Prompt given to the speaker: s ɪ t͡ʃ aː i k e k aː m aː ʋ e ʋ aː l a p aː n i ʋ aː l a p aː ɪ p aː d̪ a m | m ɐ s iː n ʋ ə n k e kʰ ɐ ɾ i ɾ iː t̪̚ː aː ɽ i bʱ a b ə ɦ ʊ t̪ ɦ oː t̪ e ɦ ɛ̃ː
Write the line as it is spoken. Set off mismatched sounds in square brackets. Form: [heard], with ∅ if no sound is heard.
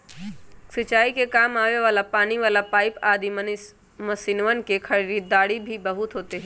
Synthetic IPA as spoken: s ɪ t͡ʃ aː i k e k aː m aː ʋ e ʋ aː l a p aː n i ʋ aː l a p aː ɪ p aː d̪ [i] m | m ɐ s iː n ʋ ə n k e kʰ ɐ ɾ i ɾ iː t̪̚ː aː ɽ i bʱ [i] b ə ɦ ʊ t̪ ɦ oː t̪ e ɦ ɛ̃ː